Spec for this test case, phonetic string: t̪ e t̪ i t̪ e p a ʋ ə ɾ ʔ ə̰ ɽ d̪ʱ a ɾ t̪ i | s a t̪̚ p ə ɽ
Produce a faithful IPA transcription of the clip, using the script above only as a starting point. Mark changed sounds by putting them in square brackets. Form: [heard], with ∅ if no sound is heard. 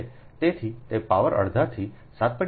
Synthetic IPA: t̪ e [t̪ʰ] i t̪ e p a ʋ ə ɾ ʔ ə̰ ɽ d̪ʱ a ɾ [t̪ʰ] i | s a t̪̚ p ə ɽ